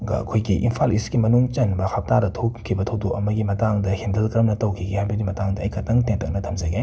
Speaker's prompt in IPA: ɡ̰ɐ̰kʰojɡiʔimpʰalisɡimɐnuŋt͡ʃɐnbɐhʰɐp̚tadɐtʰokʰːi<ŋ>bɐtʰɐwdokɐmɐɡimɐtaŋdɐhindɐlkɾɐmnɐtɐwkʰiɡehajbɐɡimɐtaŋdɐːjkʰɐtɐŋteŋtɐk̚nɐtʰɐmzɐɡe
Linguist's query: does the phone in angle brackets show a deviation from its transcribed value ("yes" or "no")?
yes